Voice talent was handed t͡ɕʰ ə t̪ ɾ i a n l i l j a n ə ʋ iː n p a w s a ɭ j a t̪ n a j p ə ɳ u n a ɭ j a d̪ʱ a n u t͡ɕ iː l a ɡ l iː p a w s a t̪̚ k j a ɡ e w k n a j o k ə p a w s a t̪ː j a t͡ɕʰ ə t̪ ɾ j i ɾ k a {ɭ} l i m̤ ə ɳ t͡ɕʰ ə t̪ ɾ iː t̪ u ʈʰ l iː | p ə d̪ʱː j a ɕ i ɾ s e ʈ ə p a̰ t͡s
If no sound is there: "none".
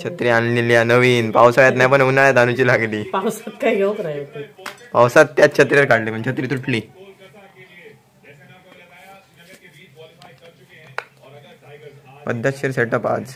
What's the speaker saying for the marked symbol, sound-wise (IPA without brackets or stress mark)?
ɽ